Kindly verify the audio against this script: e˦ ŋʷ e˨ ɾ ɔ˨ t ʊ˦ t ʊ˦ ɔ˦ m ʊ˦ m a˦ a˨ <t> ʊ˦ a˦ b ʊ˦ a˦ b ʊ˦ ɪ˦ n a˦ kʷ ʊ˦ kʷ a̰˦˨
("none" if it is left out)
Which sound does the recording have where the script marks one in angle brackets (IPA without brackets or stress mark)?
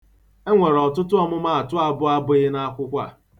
t